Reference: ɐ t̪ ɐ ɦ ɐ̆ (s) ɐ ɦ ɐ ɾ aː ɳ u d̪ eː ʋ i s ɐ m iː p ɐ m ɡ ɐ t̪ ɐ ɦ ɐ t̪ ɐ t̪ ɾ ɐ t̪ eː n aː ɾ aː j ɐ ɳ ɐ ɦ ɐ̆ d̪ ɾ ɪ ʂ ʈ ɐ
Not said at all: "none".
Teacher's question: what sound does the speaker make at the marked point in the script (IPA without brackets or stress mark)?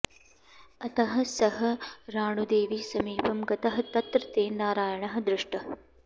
s